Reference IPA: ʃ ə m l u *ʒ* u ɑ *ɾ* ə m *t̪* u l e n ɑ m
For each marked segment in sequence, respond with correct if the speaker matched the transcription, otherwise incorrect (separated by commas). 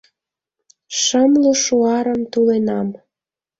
incorrect, correct, correct